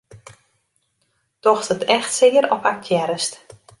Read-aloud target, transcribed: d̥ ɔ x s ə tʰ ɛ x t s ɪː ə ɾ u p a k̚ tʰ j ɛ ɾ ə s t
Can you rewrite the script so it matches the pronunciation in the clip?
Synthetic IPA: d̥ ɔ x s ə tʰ ɛ x t s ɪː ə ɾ ɔ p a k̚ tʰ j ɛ ɾ ə s t